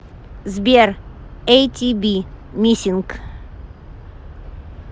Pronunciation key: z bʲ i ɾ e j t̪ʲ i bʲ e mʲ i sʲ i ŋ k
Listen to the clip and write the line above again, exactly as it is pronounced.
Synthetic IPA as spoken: z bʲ e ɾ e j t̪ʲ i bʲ i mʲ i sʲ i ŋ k